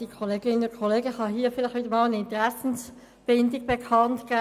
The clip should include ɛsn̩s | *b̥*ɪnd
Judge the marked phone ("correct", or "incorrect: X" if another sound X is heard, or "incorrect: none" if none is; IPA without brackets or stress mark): correct